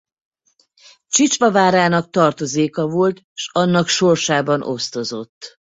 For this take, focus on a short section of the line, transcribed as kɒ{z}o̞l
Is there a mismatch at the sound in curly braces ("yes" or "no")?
yes